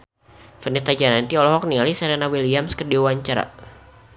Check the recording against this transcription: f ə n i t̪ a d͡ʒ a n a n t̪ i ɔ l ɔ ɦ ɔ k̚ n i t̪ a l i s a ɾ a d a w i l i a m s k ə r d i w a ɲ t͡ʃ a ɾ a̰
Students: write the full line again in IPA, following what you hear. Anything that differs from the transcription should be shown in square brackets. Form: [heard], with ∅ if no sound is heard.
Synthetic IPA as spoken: f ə n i t̪ a d͡ʒ a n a n t̪ i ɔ l ɔ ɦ ɔ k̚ n i [∅] a l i s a ɾ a [n] a w i l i a m s k ə r d i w a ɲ t͡ʃ a ɾ a̰